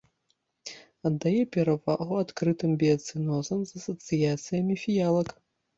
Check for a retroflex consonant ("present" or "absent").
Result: absent